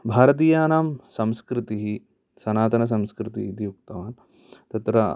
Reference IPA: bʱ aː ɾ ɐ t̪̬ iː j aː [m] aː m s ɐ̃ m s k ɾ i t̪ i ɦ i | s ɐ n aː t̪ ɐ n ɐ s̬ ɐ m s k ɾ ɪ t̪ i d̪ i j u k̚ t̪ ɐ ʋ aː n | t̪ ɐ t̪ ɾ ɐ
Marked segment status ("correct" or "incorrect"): incorrect